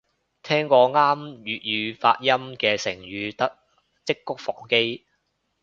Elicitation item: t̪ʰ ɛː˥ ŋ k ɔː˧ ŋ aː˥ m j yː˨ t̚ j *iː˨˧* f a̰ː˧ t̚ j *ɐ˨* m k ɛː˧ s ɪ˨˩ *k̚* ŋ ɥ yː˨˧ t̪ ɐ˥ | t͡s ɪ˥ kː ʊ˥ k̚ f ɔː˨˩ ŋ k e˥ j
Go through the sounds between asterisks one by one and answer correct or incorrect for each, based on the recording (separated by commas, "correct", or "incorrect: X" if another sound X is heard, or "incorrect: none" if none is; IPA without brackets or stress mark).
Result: incorrect: yː˨˧, incorrect: ɐ˥, incorrect: none